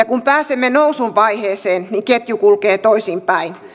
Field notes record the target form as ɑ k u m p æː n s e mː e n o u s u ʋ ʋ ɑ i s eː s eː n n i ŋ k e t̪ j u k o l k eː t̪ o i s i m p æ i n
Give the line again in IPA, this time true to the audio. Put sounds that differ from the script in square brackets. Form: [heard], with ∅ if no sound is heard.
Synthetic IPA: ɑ k u m p æː [∅] s e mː e n o u s u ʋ ʋ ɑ i [h] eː s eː n n i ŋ k e t̪ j u k [u] l k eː t̪ o i s i m p æ i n

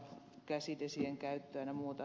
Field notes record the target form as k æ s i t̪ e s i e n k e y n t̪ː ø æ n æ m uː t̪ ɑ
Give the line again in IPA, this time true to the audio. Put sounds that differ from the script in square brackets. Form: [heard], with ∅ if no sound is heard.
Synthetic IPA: k æ s i t̪ e s i e [ŋ] k [æ] y [∅] t̪ː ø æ n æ m uː t̪ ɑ

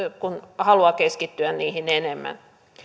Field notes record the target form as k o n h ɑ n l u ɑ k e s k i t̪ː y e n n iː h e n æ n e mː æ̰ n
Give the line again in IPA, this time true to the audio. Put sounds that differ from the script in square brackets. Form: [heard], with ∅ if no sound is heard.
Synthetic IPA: k [u] n h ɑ [∅] l u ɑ k e s k i t̪ː y [æ] n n iː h [i] n [e] n e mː æ̰ n

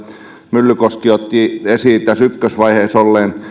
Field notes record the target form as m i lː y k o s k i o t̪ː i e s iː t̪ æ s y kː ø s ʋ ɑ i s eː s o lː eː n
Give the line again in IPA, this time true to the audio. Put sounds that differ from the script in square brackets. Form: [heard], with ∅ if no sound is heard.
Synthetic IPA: m [y] lː y k o s k i o t̪ː i e s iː t̪ æ s y kː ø s ʋ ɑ i [h] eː s o lː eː n

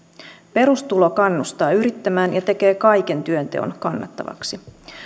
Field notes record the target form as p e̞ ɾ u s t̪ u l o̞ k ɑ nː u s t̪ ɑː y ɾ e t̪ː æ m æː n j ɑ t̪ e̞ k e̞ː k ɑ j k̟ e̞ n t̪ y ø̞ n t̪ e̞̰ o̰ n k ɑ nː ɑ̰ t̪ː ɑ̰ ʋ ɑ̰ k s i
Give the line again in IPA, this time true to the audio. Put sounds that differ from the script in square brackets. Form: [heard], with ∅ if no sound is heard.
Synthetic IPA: p e̞ ɾ u s t̪ u l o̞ k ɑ nː u s t̪ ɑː y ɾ [i] t̪ː æ m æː n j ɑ t̪ e̞ k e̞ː k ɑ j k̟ e̞ n t̪ y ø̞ n t̪ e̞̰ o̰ n k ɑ nː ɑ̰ t̪ː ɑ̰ ʋ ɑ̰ k s i

